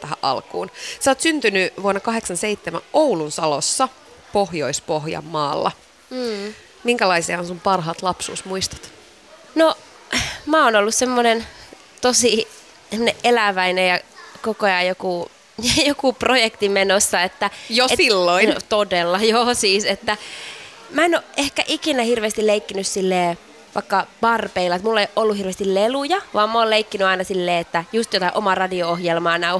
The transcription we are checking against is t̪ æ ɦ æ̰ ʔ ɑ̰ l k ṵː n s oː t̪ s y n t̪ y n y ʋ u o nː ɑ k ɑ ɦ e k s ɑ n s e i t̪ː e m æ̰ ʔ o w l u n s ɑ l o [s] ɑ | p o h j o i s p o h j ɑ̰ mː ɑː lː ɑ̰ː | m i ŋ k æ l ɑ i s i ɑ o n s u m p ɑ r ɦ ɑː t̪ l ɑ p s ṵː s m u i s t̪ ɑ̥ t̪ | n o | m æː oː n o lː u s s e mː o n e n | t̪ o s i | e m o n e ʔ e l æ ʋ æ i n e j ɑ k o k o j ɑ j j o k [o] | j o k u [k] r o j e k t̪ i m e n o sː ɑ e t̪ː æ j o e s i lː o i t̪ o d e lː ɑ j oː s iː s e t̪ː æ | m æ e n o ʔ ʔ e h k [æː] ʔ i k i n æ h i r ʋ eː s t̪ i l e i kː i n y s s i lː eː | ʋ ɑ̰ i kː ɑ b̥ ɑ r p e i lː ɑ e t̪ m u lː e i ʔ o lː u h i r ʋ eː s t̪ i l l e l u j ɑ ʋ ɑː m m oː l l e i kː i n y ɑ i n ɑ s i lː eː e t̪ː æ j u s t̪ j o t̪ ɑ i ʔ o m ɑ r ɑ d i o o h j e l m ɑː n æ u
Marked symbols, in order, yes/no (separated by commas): no, no, no, no